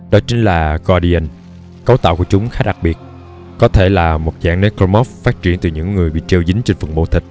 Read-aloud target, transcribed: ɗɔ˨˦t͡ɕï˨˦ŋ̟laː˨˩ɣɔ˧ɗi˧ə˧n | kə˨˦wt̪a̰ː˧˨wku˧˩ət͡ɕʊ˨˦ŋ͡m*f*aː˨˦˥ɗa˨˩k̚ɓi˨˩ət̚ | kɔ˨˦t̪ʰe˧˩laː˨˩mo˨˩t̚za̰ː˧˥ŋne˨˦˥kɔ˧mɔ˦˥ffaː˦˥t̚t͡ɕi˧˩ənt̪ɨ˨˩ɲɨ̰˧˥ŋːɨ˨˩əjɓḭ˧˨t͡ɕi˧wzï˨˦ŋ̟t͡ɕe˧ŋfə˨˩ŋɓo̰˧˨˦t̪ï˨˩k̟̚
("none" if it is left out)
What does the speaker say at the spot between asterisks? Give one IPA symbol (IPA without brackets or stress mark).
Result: x